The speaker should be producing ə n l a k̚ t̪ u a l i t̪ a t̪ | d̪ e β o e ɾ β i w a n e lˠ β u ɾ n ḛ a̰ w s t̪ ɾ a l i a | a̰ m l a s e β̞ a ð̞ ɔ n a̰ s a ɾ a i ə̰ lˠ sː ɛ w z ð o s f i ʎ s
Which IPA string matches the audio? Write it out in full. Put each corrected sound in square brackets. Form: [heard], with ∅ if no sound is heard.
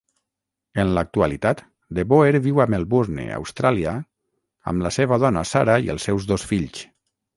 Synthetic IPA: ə n l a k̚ t̪ u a l i t̪ a t̪ | d̪ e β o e ɾ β i w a [m] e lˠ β u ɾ n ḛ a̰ w s t̪ ɾ a l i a | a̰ m l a s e β̞ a ð̞ ɔ n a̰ s a ɾ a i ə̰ lˠ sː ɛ w z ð o s f i ʎ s